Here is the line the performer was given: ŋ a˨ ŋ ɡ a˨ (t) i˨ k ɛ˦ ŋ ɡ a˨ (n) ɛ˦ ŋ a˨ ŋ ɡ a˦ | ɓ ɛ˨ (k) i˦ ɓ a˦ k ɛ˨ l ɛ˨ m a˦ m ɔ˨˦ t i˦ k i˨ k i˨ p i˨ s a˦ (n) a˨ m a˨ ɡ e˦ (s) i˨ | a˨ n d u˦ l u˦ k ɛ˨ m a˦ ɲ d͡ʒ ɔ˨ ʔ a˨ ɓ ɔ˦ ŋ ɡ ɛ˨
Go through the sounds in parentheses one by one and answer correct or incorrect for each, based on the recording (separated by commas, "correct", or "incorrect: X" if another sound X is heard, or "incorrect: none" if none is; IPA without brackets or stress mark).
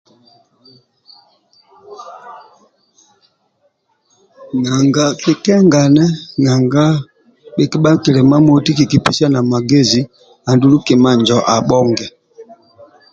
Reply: incorrect: k, correct, correct, correct, incorrect: z